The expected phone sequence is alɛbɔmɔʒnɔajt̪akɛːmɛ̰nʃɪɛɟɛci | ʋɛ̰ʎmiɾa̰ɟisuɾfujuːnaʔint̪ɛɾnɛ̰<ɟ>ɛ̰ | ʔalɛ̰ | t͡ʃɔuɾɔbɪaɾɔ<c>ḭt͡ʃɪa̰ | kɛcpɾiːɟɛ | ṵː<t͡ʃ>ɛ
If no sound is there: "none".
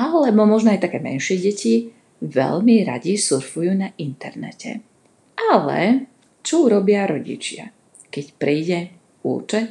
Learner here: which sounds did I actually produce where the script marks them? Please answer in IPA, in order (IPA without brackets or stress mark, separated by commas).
c, ɟ, t͡ʃ